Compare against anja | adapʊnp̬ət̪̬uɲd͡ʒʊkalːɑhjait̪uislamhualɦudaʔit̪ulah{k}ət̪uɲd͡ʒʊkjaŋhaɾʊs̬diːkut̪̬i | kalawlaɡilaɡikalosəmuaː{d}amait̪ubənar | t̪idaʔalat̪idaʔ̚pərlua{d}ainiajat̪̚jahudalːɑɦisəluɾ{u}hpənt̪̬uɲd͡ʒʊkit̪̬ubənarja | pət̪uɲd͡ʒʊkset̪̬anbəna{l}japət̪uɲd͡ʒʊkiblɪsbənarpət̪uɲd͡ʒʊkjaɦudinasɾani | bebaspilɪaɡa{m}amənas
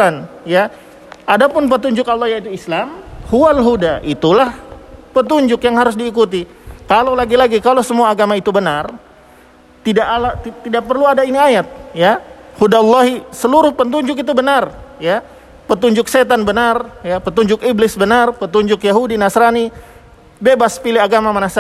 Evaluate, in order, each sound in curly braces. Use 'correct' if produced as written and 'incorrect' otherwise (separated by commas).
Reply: incorrect, incorrect, correct, incorrect, incorrect, correct